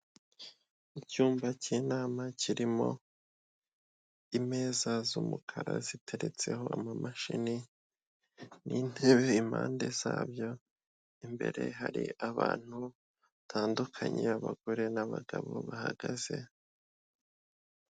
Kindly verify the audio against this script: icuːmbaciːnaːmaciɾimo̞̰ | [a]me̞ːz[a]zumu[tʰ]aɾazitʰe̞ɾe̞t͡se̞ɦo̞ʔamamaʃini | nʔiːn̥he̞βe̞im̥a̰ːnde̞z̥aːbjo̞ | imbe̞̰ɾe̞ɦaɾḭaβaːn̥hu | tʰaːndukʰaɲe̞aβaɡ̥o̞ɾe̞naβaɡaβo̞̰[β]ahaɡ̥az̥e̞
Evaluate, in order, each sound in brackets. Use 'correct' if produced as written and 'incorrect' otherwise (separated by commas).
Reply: incorrect, correct, incorrect, correct